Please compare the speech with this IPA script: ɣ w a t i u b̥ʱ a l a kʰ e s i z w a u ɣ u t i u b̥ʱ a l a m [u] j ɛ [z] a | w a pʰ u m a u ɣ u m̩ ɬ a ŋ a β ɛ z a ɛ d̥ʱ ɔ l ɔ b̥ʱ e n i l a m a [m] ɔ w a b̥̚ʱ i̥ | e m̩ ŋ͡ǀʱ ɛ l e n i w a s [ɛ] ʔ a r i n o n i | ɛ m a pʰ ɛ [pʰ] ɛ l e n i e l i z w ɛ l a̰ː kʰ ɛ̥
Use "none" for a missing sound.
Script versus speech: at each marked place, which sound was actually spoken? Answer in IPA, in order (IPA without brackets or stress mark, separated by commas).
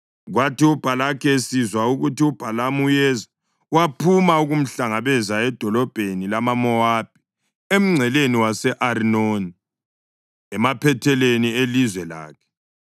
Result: u, z, m, ɛ, tʰ